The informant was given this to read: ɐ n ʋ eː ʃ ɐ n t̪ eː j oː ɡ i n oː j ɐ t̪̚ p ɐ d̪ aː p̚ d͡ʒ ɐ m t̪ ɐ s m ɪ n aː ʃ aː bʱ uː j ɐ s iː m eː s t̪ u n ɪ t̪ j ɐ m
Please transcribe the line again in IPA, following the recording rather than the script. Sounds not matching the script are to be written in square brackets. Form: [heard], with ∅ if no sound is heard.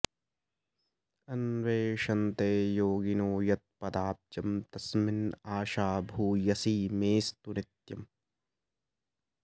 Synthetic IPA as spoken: ɐ n ʋ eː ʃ ɐ n t̪ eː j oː ɡ i n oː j ɐ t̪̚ p ɐ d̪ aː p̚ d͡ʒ ɐ m t̪ ɐ s m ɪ n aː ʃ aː bʱ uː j ɐ s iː m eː s t̪ u n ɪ t̪ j ɐ m